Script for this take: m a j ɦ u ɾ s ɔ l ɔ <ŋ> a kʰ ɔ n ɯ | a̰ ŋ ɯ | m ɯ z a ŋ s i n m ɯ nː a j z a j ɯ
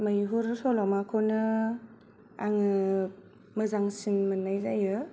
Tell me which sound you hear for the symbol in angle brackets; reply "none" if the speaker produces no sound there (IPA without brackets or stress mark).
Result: m